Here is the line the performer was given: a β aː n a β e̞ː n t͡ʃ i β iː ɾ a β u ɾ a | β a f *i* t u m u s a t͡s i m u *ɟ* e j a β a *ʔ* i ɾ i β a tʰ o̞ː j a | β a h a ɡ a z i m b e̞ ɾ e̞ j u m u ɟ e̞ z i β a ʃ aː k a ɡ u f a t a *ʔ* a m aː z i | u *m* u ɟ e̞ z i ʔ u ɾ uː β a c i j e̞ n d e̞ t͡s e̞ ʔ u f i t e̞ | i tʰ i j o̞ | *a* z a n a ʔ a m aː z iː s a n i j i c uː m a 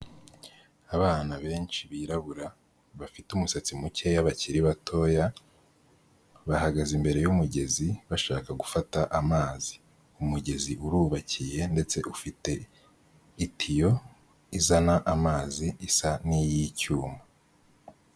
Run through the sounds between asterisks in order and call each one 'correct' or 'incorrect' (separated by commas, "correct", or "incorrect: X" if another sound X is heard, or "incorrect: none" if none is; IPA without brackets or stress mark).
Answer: correct, incorrect: c, incorrect: c, correct, correct, incorrect: i